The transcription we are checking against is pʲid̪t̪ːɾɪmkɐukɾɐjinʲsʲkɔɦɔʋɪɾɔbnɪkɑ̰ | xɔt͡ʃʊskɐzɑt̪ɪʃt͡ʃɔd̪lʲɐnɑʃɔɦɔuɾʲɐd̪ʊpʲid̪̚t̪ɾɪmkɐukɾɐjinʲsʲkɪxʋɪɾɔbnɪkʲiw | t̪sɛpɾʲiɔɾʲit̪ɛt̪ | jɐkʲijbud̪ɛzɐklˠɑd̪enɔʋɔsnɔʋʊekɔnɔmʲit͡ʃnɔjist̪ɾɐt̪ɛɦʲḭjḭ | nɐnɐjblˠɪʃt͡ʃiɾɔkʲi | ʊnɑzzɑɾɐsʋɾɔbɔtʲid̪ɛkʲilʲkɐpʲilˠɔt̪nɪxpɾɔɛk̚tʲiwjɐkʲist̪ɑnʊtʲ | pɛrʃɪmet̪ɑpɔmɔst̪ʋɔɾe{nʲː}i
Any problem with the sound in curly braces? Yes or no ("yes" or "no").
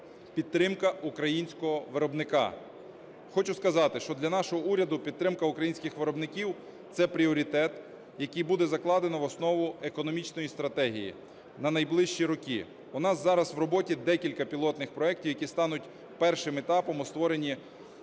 yes